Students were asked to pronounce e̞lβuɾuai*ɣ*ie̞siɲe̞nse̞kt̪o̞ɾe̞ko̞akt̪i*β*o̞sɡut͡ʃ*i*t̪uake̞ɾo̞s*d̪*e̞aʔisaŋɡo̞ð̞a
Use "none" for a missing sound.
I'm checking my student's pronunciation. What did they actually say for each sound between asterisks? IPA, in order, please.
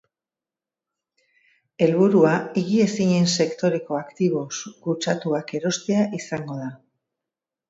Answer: ɣ, β, a, t̪

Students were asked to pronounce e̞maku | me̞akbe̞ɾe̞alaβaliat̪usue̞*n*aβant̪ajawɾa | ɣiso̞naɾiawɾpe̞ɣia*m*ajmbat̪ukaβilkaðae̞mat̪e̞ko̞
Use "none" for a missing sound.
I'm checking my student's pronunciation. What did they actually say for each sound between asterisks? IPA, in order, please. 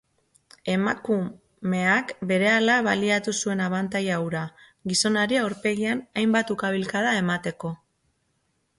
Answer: n, n

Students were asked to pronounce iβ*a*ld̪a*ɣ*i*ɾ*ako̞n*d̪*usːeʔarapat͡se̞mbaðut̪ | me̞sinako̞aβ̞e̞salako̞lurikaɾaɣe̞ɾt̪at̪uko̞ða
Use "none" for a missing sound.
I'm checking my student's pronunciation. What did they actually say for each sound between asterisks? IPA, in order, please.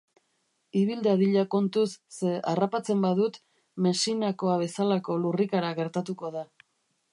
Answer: i, ð, ʎ, t̪

